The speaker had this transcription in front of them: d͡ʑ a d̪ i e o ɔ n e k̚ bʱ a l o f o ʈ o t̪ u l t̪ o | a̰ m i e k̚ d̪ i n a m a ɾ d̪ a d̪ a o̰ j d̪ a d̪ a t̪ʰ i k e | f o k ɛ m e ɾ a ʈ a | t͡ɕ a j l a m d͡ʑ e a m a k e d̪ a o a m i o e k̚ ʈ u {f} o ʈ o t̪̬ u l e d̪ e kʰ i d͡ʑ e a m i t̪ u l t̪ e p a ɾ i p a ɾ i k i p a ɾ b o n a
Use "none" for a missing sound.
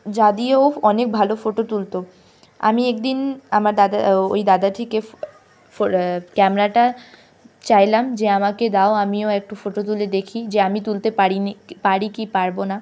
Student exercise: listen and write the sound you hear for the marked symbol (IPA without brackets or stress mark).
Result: f